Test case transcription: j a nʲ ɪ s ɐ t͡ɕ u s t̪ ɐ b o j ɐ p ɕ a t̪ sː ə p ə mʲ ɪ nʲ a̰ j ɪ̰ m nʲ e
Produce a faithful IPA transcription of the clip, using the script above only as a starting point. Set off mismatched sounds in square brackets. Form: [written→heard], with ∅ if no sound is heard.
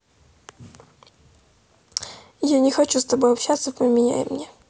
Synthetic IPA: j a nʲ ɪ [s→x] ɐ t͡ɕ u s t̪ ɐ b o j ɐ p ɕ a t̪ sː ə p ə mʲ ɪ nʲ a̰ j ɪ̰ m nʲ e